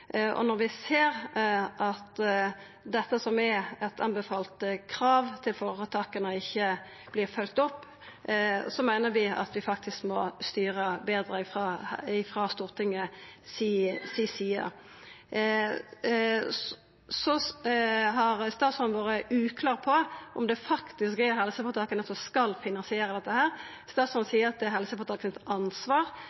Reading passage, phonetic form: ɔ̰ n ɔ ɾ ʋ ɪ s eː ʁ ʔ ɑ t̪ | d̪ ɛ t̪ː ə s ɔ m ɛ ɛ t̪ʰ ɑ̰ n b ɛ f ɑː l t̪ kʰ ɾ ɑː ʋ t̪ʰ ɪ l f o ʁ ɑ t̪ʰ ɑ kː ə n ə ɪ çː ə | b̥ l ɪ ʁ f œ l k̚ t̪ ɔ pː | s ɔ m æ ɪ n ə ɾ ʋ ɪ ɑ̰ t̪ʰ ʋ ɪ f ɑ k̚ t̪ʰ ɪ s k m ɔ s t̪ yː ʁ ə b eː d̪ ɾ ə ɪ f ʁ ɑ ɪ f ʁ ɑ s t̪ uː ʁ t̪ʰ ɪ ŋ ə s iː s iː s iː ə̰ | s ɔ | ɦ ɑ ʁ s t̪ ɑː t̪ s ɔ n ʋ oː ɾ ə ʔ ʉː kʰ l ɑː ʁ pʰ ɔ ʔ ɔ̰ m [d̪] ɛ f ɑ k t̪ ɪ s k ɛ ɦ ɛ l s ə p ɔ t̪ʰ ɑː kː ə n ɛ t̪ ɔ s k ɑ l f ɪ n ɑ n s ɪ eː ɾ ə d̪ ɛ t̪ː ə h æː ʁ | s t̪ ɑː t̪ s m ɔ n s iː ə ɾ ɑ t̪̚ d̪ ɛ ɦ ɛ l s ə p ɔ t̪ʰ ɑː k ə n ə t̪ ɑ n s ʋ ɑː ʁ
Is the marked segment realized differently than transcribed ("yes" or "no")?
no